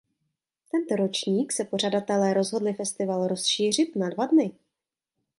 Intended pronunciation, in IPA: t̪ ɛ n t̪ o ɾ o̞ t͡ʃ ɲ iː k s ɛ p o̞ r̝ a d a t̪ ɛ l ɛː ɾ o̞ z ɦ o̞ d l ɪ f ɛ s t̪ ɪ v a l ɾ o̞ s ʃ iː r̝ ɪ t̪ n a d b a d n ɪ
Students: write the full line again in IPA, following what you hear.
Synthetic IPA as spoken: t̪ ɛ n t̪ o ɾ o̞ t͡ʃ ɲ iː k s ɛ p o̞ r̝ a d a t̪ ɛ l ɛː ɾ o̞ z ɦ o̞ d l ɪ f ɛ s t̪ ɪ v a l ɾ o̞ s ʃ iː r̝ ɪ t̪ n a d v a d n ɪ